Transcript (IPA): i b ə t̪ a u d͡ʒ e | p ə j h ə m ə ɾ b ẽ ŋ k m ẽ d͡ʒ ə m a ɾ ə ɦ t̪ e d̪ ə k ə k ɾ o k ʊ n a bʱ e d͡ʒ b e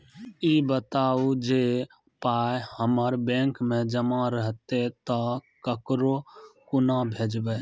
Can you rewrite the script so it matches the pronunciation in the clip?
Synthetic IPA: i b ə t̪ a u d͡ʒ e | p a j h ə m ə ɾ b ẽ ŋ k m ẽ d͡ʒ ə m a ɾ ə ɦ t̪ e t̪ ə k ə k ɾ o k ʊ n a bʱ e d͡ʒ b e